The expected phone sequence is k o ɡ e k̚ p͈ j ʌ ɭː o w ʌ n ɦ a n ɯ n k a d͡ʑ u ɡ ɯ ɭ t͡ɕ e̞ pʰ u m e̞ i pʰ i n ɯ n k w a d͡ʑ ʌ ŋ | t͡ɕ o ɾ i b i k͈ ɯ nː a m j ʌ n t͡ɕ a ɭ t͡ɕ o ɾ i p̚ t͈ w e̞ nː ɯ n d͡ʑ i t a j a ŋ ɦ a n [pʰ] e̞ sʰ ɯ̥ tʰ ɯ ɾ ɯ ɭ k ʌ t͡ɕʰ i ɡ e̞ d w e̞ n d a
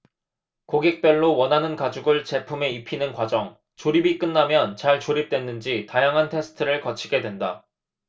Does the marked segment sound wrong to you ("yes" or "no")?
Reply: yes